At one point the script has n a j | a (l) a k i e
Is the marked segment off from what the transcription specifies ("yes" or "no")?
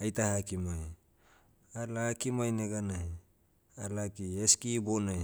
no